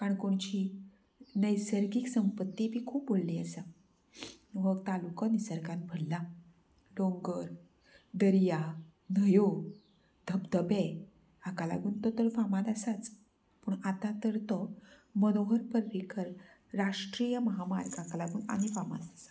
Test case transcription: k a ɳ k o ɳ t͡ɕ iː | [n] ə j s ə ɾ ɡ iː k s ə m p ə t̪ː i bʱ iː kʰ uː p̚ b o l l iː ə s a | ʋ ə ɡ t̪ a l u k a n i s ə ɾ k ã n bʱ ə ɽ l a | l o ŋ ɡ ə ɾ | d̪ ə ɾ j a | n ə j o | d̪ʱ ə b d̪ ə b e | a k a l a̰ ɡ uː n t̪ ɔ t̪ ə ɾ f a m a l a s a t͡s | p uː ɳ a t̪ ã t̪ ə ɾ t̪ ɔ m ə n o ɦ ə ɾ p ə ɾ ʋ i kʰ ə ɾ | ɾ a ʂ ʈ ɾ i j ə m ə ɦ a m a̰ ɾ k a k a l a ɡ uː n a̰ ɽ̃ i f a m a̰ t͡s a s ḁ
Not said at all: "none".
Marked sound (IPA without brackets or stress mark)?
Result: n